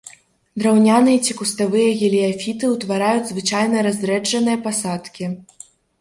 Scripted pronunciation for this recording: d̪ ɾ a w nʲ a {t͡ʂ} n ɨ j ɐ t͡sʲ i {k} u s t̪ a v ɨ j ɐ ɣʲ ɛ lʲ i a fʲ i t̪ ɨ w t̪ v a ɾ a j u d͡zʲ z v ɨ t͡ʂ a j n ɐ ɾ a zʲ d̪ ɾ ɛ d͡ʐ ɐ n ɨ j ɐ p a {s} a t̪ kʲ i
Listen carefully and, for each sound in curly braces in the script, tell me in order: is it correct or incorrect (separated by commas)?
incorrect, correct, correct